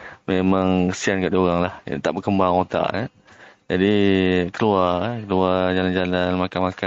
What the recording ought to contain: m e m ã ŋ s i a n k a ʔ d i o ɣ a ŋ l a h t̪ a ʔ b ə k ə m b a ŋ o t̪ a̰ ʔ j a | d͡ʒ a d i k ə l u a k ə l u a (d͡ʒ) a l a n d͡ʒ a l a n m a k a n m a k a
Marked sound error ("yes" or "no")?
no